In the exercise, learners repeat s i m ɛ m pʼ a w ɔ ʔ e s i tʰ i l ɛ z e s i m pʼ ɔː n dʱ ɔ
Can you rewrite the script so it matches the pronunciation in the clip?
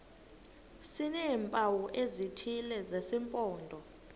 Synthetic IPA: s i n ɛ m pʼ a w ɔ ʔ e z i tʰ i l ɛ z e s i m pʼ ɔː n dʱ ɔ